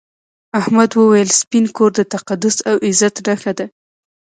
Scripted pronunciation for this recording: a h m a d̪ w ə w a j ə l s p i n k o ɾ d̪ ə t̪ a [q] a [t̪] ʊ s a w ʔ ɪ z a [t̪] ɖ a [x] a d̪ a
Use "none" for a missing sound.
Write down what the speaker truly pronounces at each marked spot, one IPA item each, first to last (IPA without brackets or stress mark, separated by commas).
q, d̪, t̪, x